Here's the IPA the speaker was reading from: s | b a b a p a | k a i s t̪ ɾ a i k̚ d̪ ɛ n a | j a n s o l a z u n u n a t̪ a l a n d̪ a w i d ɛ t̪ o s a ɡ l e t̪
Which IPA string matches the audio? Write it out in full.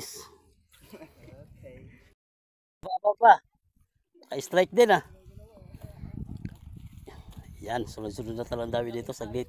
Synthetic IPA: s | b a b a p a | k a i s t̪ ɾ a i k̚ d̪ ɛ n a | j a n s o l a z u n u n a t̪ a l a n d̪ a w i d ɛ t̪ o s a ɡ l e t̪